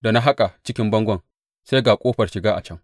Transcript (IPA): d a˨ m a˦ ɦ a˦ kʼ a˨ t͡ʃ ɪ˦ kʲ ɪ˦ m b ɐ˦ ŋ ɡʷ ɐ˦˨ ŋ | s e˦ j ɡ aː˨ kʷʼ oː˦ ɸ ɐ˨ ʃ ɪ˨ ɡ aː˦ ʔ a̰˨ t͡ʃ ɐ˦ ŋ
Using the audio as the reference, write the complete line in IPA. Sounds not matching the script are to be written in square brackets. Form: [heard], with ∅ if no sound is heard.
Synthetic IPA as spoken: d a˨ [n] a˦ ɦ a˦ kʼ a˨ t͡ʃ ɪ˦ kʲ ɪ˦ m b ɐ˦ ŋ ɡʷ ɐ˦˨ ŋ | s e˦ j ɡ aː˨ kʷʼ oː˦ ɸ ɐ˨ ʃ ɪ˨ ɡ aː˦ ʔ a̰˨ t͡ʃ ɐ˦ ŋ